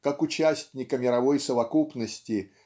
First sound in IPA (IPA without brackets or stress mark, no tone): k